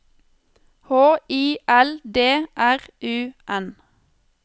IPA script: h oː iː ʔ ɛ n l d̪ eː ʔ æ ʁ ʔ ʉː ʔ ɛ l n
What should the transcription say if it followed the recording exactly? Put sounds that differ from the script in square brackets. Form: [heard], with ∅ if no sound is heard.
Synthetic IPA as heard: h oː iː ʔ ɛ [∅] l d̪ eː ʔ æ ʁ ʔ ʉː ʔ ɛ [∅] n